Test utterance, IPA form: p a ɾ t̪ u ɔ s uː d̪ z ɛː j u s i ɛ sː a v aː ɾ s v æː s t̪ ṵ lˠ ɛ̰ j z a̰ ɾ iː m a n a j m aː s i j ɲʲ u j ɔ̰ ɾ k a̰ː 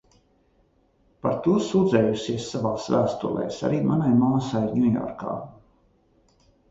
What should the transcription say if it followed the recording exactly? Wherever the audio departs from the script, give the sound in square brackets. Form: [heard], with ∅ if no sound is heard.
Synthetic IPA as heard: p a ɾ t̪ u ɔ s uː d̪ z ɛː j u s i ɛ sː a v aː [∅] s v æː s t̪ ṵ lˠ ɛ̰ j [s] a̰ ɾ iː m a n a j m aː s [a] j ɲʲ u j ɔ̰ ɾ k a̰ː